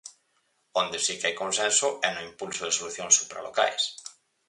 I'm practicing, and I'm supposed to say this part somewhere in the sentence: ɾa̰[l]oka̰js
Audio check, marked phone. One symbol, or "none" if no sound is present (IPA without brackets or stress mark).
l